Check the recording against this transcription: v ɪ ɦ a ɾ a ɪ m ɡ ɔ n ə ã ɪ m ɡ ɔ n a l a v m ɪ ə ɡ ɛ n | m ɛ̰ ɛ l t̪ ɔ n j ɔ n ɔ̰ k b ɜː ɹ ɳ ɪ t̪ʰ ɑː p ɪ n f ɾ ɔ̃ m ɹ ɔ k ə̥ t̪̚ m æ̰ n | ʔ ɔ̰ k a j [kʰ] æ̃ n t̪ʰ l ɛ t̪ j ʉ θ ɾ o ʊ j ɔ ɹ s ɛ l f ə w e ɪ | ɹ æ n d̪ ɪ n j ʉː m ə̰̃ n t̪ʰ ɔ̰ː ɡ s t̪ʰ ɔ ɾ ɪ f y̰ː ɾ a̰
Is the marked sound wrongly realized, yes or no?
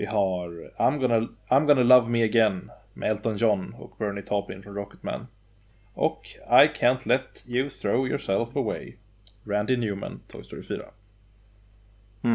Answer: no